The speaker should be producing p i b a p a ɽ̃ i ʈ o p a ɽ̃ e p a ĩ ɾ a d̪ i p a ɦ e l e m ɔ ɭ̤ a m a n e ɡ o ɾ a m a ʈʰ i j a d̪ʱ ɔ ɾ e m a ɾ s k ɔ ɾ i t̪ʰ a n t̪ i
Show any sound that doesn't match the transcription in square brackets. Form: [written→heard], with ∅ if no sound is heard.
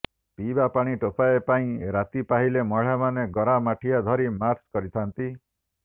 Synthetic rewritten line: p i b a p a ɽ̃ i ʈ o p a [ɽ̃→∅] e p a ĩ ɾ a [d̪→t̪] i p a ɦ [e→i] l e m ɔ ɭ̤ a m a n e ɡ [o→ɔ] ɾ a m a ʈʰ i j a d̪ʱ ɔ ɾ [e→i] m a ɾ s k ɔ ɾ i t̪ʰ a n t̪ i